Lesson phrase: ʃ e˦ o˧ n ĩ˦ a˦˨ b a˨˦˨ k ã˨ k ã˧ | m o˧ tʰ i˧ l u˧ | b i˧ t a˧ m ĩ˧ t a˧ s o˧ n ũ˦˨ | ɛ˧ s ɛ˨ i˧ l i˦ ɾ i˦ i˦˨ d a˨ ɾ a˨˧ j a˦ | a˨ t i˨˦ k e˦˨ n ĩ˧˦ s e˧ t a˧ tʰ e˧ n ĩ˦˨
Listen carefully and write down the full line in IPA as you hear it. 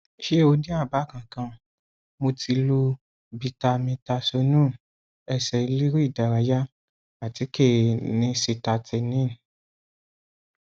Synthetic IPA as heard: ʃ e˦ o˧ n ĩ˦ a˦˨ b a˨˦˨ k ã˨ k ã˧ | m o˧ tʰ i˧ l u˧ | b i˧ t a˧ m ĩ˧ t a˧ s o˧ n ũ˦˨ | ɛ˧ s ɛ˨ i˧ l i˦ ɾ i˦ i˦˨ d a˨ ɾ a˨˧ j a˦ | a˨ t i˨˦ k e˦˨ n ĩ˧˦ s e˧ t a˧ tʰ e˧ n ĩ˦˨